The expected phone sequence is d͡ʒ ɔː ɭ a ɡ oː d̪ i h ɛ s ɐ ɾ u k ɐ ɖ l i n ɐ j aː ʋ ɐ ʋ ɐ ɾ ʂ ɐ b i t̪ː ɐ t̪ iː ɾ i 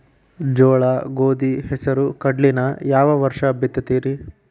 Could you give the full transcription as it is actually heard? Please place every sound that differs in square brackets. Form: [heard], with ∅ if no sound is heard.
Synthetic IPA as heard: d͡ʒ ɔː ɭ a ɡ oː d̪ i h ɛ s ɐ ɾ u k ɐ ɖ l i n ɐ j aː ʋ ɐ ʋ ɐ ɾ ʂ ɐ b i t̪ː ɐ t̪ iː ɾ i